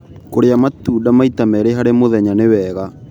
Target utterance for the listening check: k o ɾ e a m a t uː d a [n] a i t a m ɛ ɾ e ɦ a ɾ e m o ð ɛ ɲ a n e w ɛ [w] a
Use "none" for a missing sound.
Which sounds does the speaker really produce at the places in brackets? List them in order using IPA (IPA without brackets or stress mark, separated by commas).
m, ɣ